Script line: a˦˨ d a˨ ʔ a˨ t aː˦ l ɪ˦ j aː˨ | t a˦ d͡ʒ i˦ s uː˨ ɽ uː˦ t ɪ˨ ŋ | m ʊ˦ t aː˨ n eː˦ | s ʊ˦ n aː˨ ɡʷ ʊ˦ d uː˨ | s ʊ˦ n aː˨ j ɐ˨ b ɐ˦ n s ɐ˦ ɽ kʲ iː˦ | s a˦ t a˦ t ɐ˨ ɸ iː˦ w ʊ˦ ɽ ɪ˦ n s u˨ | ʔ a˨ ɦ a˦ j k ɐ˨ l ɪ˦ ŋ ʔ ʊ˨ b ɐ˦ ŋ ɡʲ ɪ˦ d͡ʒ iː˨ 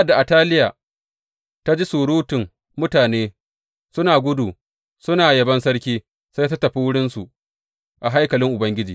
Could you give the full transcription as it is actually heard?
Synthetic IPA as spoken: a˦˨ d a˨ ʔ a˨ t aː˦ l ɪ˦ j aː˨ | t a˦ d͡ʒ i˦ s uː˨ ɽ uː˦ t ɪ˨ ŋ | m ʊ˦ t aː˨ n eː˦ | s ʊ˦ n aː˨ ɡʷ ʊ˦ d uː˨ | s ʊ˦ n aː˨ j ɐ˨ b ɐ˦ n s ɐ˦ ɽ kʲ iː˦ | s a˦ t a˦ t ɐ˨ ɸ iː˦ w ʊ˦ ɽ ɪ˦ n s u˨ | ʔ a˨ ɦ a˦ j k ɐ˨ l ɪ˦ ŋ ʔ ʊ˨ b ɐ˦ ŋ ɡʲ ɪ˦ d͡ʒ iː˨

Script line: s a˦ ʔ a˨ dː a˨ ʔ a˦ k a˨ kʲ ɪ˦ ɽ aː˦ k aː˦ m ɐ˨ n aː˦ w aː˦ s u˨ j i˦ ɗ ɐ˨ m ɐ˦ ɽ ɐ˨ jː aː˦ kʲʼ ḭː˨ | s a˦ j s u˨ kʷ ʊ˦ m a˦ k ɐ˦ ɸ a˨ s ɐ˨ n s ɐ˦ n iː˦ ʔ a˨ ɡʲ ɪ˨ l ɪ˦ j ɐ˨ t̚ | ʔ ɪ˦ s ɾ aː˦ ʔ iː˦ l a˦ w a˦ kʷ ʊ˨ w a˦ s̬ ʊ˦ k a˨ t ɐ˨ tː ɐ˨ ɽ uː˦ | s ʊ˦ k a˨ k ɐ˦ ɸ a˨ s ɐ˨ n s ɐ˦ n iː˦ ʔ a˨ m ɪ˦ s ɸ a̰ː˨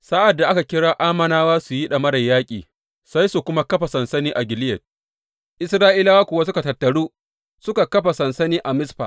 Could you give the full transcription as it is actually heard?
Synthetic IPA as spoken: s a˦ ʔ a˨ dː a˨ ʔ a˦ k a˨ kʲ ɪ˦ ɽ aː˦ ʔ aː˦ m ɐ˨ n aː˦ w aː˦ s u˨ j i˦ ɗ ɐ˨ m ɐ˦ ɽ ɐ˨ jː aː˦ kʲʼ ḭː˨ | s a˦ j s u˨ kʷ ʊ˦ m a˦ k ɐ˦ ɸ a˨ s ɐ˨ n s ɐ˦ n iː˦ ʔ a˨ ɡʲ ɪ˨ l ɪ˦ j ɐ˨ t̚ | ʔ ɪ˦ s ɾ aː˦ ʔ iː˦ l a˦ w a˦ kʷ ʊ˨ w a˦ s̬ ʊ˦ k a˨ t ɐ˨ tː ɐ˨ ɽ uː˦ | s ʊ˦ k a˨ k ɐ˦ ɸ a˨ s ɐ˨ n s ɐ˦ n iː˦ ʔ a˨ m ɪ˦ s ɸ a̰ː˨

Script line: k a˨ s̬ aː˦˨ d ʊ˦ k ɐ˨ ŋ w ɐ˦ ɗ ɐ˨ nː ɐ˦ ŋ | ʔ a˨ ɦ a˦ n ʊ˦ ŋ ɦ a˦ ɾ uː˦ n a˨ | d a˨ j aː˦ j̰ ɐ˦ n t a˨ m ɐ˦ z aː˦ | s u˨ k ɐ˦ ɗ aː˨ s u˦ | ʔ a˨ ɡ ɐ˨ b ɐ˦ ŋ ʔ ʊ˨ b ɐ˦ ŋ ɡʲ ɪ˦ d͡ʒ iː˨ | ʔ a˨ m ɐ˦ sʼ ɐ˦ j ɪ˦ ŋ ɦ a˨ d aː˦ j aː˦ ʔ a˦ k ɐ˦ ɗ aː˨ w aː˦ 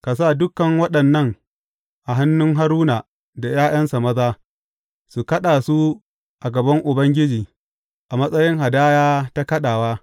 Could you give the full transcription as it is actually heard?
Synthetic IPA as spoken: k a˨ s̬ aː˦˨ d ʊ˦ k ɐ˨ ŋ w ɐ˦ ɗ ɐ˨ nː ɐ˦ ŋ | ʔ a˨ ɦ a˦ nː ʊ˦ ŋ ɦ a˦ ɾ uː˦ n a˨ | d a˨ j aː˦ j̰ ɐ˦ n s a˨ m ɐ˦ z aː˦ | s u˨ k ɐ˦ ɗ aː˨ s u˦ | ʔ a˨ ɡ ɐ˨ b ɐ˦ ŋ ʔ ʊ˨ b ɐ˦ ŋ ɡʲ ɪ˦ d͡ʒ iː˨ | ʔ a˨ m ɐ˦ sʼ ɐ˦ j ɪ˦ ŋ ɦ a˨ d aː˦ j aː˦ t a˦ k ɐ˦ ɗ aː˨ w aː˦

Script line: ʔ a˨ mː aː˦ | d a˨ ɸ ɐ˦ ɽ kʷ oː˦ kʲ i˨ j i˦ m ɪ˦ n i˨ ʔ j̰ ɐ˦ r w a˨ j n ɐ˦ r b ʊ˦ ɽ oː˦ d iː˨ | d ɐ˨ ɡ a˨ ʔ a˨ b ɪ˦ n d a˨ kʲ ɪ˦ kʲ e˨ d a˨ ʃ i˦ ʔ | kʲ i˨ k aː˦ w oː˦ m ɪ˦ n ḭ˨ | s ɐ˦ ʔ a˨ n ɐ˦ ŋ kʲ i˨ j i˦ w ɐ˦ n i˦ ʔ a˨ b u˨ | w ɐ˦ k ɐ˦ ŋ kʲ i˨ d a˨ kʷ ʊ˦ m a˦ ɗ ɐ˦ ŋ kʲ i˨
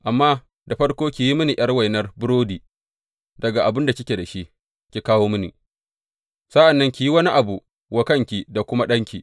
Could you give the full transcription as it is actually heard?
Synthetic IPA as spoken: ʔ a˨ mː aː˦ | d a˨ ɸ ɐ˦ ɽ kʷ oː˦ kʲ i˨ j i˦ m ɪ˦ n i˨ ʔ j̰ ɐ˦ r w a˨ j n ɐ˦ r b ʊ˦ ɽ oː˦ d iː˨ | d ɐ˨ ɡ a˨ ʔ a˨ b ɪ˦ n d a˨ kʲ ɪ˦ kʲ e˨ d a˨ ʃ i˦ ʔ | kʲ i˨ k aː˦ w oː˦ m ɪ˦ n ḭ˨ | s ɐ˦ ʔ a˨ nː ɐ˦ ŋ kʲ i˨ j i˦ w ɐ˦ n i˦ ʔ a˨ b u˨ | w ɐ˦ k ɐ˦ ŋ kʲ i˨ d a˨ kʷ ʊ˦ m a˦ ɗ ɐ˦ ŋ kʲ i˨

